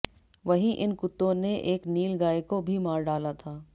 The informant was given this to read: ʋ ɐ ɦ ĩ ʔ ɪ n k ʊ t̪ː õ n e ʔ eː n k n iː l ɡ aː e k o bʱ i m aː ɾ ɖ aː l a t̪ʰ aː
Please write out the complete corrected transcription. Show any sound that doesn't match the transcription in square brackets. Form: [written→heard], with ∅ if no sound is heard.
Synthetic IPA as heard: ʋ ɐ ɦ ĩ ʔ ɪ n k ʊ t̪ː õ n e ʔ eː [n→∅] k n iː l ɡ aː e k o bʱ i m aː ɾ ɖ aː l a t̪ʰ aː